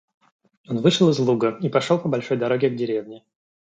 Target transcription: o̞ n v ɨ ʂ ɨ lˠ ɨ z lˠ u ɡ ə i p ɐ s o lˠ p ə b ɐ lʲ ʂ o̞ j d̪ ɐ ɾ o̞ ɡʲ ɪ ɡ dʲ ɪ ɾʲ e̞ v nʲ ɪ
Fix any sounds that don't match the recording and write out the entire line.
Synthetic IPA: o̞ n v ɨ ʂ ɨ lˠ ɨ z lˠ u ɡ ə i p ɐ ʂ o lˠ p ə b ɐ lʲ ʂ o̞ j d̪ ɐ ɾ o̞ ɡʲ ɪ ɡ dʲ ɪ ɾʲ e̞ v nʲ ɪ